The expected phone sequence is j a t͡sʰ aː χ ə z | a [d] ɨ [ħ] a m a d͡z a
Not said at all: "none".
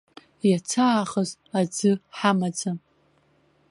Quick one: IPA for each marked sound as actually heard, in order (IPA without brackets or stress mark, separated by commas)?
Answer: d͡z, ħ